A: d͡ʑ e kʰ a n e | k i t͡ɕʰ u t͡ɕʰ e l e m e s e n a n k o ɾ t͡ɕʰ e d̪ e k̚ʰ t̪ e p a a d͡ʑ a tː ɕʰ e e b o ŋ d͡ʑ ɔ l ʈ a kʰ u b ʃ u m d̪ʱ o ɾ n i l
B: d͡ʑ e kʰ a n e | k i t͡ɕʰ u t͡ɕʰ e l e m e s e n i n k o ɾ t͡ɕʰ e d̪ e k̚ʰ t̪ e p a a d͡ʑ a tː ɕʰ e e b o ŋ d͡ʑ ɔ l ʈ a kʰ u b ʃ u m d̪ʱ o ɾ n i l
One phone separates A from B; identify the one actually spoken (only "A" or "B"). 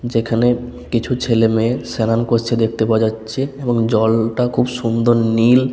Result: A